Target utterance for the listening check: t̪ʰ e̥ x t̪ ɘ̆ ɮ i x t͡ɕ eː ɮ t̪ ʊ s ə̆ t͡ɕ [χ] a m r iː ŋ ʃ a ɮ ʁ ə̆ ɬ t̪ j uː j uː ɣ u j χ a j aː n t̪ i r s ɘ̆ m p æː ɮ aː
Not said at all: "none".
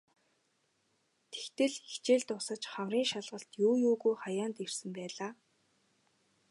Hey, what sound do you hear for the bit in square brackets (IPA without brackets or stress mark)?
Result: χ